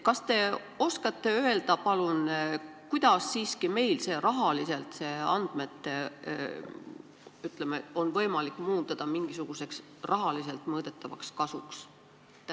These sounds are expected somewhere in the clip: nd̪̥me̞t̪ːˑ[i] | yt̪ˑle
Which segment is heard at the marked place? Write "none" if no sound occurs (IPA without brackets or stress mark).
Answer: e